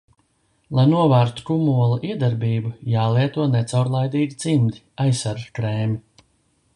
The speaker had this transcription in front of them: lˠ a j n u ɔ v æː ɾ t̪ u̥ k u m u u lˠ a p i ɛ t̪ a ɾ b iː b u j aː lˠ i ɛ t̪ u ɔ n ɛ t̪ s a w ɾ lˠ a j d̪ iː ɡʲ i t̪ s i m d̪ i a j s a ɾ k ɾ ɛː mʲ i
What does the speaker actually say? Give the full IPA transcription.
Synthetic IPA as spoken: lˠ a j n u ɔ v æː ɾ t̪ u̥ k u m u ɔ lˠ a ʔ i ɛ d̪ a ɾ b iː b u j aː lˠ i ɛ t̪ u ɔ n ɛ t̪ s a w ɾ lˠ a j d̪ iː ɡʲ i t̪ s i m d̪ i a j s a ɾ k ɾ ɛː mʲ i